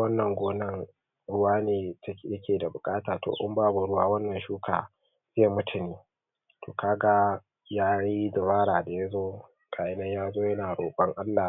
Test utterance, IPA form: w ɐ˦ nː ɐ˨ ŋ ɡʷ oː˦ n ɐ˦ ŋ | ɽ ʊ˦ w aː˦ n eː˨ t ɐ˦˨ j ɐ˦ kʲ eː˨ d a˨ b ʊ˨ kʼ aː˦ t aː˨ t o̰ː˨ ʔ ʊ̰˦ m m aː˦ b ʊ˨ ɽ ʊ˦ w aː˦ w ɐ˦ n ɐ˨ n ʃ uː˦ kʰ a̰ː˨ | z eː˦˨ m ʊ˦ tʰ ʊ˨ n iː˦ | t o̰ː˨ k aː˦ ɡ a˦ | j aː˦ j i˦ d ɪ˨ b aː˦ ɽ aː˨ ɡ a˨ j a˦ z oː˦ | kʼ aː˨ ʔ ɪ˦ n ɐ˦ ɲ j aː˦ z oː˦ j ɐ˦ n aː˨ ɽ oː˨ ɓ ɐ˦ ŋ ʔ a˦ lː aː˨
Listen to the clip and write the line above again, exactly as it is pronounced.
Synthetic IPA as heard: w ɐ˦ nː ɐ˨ ŋ ɡʷ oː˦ n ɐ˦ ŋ | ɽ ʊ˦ w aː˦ n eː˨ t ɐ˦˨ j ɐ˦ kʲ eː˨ d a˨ b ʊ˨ kʼ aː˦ t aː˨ t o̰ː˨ ʔ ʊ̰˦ m b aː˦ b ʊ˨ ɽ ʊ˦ w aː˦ w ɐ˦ nː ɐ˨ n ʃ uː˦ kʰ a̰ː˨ | z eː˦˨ m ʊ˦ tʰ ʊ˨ n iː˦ | t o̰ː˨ k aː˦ ɡ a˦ | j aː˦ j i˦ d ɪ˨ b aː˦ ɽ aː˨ d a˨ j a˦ z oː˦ | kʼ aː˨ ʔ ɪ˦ n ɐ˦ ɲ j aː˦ z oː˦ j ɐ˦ n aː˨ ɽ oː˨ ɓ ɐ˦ ŋ ʔ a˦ lː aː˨